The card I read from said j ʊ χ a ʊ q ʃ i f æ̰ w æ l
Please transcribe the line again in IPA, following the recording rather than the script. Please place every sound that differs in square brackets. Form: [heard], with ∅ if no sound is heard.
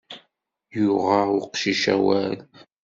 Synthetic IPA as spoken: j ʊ [ʁ] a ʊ q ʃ i [ʃ] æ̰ w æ l